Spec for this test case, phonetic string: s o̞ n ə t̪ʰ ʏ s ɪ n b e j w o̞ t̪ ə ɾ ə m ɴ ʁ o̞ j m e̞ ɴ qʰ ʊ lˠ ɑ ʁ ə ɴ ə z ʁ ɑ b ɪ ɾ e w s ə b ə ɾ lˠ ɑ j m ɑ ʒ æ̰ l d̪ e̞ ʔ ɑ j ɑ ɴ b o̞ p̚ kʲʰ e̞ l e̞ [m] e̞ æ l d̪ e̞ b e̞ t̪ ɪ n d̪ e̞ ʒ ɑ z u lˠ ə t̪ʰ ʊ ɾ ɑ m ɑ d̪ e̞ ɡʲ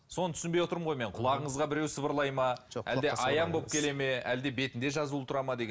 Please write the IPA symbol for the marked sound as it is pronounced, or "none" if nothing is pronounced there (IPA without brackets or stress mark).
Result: m